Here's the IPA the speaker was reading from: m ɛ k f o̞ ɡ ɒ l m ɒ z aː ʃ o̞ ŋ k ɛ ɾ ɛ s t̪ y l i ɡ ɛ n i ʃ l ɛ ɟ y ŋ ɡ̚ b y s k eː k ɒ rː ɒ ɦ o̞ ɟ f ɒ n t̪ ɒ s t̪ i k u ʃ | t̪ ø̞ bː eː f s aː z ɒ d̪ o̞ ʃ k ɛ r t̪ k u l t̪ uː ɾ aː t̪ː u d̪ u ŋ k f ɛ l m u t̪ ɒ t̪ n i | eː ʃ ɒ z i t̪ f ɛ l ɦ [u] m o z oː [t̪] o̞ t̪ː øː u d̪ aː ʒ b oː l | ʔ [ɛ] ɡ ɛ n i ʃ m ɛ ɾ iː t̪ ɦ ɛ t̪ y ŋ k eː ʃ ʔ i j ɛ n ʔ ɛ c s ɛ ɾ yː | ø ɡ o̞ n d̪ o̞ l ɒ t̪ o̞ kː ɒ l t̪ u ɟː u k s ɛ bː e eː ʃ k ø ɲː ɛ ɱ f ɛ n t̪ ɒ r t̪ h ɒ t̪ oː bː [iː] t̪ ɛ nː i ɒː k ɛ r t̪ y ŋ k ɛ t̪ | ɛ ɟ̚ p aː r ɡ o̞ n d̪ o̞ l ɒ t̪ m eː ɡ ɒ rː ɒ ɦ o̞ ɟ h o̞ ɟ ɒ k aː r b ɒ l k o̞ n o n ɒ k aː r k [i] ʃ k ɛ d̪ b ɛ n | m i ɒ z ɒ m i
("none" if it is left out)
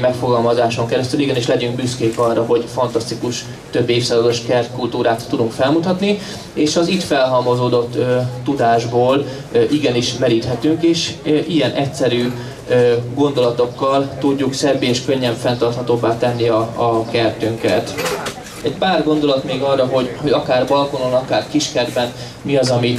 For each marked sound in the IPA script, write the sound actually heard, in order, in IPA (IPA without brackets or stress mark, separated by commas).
ɒ, d̪, i, aː, i